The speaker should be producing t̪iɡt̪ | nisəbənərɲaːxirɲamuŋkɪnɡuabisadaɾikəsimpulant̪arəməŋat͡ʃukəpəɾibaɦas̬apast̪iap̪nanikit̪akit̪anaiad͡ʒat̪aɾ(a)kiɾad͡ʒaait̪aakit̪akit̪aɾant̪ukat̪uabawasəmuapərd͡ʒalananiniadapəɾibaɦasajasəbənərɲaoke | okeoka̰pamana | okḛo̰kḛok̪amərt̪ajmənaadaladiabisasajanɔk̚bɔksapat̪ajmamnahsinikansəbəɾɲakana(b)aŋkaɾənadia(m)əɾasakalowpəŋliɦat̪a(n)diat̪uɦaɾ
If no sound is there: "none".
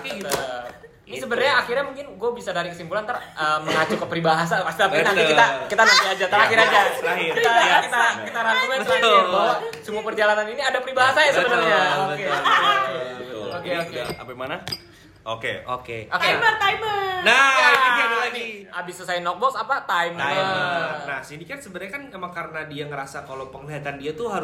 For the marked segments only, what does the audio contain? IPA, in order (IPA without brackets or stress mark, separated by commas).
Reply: a, m, ŋ, n